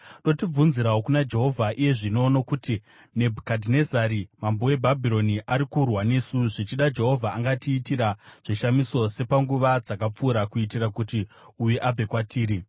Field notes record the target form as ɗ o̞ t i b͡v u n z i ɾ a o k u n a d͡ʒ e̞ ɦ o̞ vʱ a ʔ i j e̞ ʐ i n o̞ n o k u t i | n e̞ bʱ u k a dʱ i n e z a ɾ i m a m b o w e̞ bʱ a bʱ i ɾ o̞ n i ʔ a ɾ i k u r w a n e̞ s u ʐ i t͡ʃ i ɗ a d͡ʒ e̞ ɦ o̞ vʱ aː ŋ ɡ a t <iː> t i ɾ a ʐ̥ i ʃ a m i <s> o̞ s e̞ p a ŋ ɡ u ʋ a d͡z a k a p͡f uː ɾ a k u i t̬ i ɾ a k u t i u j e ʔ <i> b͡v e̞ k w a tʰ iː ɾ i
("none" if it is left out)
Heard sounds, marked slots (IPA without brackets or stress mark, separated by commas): iː, s, a